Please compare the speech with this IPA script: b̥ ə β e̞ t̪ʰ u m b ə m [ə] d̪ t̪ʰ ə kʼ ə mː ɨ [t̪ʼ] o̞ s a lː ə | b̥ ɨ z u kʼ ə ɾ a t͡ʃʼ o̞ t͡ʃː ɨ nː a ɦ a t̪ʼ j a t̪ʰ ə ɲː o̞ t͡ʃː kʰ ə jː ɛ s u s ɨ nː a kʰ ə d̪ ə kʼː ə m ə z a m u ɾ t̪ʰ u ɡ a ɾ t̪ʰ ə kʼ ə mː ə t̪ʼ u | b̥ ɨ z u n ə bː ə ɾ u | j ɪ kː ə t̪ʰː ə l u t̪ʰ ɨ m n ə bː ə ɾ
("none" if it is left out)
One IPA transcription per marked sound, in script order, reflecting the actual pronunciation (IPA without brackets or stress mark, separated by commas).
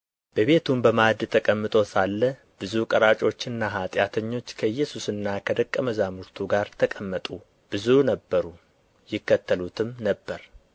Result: a, t̪ʼ